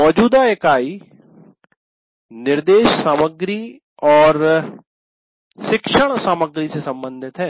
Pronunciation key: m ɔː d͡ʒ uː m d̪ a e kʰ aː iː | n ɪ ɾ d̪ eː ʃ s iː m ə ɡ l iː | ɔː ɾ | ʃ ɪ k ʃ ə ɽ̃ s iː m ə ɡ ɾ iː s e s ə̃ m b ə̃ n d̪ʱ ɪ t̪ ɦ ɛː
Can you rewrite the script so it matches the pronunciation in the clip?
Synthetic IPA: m ɔː d͡ʒ uː d̪ a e k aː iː | n ɪ ɾ d̪ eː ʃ s aː m ə ɡ ɾ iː | ɔː ɾ | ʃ ɪ k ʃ ə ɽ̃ s aː m ə ɡ ɾ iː s e s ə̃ m b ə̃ n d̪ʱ ɪ t̪ ɦ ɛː